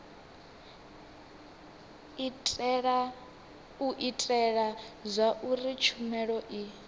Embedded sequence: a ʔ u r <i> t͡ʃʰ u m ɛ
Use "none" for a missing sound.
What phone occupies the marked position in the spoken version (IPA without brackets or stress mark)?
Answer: i